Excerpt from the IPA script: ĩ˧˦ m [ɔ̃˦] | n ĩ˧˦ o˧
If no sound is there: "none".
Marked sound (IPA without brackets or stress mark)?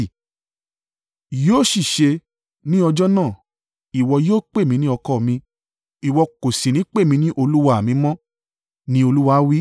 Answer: ɔ̃˦